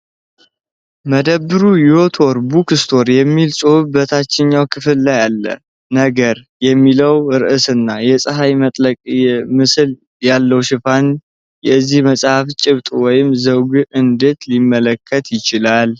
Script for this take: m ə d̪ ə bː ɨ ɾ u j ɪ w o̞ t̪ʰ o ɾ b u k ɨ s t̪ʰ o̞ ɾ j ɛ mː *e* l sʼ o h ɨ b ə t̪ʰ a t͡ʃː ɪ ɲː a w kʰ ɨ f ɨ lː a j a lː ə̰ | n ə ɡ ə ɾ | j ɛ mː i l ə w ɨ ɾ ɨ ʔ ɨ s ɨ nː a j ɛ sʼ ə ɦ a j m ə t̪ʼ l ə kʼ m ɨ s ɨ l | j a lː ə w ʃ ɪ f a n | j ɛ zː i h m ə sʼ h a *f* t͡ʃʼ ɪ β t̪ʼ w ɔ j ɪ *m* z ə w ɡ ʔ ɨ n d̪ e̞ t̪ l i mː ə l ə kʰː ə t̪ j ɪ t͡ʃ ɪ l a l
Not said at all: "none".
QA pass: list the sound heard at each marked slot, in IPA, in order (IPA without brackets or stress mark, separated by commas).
i, f, m